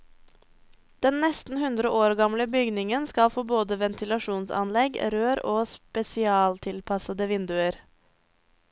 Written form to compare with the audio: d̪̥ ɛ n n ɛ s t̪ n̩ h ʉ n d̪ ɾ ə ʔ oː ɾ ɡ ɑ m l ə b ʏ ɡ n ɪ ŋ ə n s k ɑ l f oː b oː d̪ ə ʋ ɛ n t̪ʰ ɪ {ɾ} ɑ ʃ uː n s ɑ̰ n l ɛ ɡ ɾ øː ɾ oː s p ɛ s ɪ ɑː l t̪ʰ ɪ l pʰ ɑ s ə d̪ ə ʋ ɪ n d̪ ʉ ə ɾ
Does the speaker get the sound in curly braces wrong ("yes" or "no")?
yes